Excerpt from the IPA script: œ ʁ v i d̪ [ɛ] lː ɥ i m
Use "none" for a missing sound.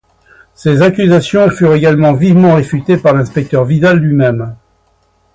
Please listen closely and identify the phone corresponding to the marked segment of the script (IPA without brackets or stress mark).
a